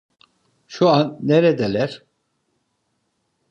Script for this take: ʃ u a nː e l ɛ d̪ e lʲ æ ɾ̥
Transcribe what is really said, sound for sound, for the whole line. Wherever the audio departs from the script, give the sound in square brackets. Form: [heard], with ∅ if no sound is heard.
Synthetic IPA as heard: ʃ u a nː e [ɾ] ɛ d̪ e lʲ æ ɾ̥